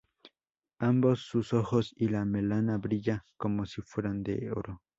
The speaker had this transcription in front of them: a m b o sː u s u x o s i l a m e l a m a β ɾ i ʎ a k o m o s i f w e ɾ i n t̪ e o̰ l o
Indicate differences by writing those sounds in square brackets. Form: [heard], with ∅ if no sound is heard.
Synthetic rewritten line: a m b o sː u s [o] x o s i l a m e l a [n] a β ɾ i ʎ a k o m o s i f w e ɾ [a] n [d̪] e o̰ [ɾ] o